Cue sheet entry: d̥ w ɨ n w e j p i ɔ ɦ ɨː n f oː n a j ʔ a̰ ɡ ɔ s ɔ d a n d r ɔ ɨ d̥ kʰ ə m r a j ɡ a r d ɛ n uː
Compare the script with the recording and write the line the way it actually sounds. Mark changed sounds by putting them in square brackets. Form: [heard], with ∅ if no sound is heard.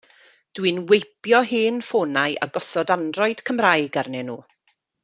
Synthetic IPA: d̥ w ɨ n w e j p [j] ɔ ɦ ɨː n f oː n a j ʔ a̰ ɡ ɔ s ɔ d a n d r ɔ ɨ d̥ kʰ ə m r a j ɡ a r [n] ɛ n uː